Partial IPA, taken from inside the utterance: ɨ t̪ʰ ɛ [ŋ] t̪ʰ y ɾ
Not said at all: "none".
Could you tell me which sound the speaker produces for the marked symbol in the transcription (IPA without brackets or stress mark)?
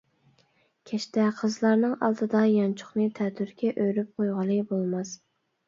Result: none